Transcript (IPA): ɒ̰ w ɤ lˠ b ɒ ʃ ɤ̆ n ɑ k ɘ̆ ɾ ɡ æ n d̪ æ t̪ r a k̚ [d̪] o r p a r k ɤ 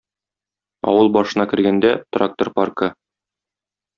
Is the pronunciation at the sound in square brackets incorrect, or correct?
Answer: incorrect